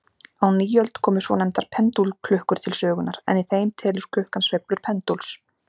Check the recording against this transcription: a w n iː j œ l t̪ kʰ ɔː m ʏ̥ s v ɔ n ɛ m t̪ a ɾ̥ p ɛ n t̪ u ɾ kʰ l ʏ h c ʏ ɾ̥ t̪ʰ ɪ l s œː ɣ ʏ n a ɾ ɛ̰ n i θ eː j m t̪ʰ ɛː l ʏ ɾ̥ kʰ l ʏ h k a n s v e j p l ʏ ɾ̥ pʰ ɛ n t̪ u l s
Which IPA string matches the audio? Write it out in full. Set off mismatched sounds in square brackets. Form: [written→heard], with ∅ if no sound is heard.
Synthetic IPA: a w n iː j œ l t̪ kʰ ɔː m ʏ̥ s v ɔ n ɛ m t̪ a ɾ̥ [p→pʰ] ɛ n t̪ u [ɾ→l] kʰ l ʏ h [c→k] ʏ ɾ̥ t̪ʰ ɪ l s œː ɣ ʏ n a ɾ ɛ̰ n i θ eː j m t̪ʰ ɛː l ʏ ɾ̥ kʰ l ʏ h k a n s v e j p l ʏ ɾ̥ pʰ ɛ n t̪ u l s